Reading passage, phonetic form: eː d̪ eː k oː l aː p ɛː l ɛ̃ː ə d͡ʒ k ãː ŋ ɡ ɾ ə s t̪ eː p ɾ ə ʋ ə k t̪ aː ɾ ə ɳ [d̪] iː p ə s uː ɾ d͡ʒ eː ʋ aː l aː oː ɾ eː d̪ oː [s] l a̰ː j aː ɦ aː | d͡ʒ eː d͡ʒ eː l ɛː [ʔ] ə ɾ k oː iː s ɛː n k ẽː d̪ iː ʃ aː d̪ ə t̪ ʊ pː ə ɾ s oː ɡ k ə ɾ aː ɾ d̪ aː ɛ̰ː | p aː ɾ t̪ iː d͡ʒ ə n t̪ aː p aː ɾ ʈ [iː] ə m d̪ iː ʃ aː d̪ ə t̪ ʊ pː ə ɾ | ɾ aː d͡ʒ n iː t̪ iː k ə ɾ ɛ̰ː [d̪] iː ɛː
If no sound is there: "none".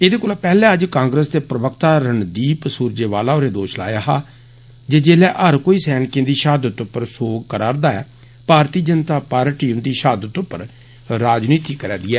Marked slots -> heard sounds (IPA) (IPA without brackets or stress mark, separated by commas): d̪, ʃ, ʔ, iː, d̪